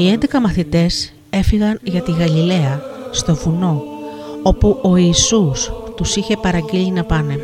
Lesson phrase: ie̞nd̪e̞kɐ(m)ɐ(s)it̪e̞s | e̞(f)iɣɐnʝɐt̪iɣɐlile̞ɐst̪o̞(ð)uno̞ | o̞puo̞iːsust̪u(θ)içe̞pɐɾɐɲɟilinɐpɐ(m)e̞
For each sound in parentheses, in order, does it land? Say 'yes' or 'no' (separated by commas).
yes, no, yes, no, no, no